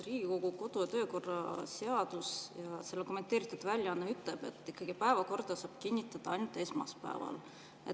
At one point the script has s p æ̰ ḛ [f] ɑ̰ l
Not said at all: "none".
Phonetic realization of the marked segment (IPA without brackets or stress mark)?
v